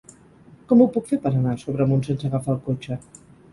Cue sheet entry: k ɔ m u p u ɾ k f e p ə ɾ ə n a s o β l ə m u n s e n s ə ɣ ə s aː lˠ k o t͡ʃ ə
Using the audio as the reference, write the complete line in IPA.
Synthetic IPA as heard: k ɔ m u p u k f e p ə ɾ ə n a s o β ɾ ə m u n s e n s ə ɣ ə f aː lˠ k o t͡ʃ ə